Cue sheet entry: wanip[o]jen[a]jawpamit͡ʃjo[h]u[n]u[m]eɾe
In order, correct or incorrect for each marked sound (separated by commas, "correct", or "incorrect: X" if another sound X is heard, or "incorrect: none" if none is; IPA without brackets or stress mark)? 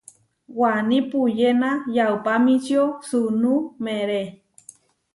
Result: incorrect: u, correct, incorrect: s, correct, correct